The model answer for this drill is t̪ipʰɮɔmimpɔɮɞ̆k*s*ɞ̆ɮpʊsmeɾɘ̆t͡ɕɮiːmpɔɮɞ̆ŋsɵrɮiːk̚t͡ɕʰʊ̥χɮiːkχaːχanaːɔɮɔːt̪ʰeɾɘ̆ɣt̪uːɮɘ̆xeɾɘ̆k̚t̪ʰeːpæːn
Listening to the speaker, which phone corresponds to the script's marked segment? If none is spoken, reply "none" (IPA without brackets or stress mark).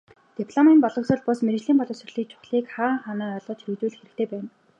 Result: s